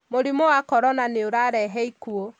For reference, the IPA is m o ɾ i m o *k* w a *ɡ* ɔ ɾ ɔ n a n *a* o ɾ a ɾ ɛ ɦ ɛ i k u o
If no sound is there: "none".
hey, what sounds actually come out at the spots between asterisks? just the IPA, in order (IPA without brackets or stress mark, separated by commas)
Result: none, k, e